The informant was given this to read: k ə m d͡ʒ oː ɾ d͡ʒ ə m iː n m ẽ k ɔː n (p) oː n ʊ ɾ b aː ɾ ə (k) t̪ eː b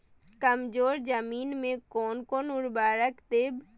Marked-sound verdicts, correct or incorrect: incorrect, correct

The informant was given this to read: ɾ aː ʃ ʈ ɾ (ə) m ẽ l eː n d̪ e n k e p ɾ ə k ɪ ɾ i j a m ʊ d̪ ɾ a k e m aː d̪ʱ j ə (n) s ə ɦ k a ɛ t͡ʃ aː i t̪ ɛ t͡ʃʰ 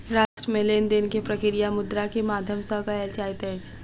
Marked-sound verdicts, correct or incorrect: correct, incorrect

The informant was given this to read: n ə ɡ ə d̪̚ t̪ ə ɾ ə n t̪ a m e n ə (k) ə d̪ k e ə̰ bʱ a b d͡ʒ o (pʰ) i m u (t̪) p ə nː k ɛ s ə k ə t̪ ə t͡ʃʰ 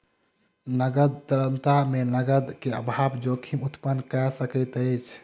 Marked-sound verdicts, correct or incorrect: incorrect, incorrect, correct

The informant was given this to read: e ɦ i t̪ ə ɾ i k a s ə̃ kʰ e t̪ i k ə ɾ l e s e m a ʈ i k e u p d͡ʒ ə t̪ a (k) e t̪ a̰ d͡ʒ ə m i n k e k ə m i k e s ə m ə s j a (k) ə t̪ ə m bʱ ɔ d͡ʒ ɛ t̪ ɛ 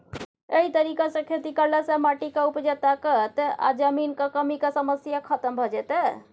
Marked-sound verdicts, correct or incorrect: correct, incorrect

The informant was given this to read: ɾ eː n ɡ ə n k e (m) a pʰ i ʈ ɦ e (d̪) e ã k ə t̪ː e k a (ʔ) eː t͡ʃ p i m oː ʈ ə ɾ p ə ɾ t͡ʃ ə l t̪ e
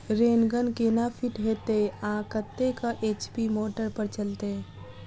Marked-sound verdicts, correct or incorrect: incorrect, incorrect, correct

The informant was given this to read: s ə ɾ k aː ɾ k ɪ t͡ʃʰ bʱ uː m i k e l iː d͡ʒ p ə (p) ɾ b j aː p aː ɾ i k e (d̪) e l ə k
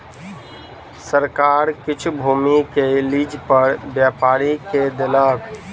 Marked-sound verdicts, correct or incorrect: incorrect, correct

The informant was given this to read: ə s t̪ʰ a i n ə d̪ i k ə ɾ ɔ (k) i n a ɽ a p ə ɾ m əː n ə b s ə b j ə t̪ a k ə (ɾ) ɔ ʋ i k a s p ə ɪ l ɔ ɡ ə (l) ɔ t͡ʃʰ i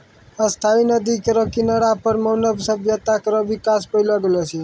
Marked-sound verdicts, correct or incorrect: correct, correct, correct

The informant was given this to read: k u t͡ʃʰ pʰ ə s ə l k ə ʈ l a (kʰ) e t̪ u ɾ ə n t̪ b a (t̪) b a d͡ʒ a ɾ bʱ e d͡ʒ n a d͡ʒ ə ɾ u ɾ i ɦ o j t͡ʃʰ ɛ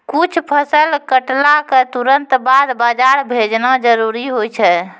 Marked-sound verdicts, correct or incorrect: incorrect, incorrect

